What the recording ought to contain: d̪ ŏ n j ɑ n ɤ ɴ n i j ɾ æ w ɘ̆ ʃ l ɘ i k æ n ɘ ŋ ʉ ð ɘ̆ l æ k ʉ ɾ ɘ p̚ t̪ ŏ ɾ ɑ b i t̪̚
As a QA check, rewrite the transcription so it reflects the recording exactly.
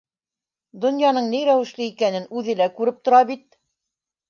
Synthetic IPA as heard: d̪ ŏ n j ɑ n ɤ ɴ n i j ɾ æ w ɘ̆ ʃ l ɘ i k æ n ɘ n ʉ ð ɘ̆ l æ k ʉ ɾ ɘ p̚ t̪ ŏ ɾ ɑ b i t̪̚